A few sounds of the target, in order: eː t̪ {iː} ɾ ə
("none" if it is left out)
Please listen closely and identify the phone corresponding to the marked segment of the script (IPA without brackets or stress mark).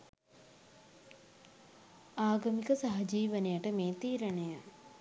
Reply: iː